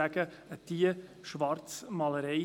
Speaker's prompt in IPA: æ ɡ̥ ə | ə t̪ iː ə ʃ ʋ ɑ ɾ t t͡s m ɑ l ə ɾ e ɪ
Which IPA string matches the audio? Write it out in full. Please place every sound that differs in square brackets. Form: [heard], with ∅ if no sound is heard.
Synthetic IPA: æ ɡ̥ ə | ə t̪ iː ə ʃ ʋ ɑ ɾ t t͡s m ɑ l ə ɾ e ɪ